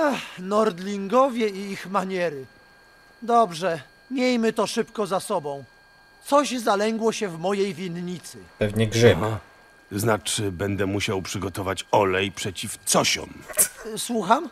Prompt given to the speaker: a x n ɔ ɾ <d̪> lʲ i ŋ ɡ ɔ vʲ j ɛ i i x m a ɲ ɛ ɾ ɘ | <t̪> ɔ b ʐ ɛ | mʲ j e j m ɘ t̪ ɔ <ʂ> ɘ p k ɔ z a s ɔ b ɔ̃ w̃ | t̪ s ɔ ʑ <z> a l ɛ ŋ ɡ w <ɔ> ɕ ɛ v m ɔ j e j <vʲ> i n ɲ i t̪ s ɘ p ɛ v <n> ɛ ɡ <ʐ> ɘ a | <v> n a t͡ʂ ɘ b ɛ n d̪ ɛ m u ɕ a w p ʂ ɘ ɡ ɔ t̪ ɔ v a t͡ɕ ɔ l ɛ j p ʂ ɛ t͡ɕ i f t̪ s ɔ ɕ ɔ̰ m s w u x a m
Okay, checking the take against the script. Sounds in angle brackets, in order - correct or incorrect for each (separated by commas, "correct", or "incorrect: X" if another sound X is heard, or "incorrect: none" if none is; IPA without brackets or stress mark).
correct, incorrect: d̪, correct, correct, correct, correct, incorrect: ɲ, correct, incorrect: z